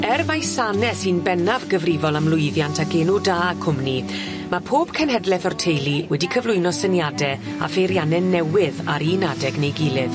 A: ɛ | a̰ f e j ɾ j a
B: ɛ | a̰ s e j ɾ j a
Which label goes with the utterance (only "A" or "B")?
A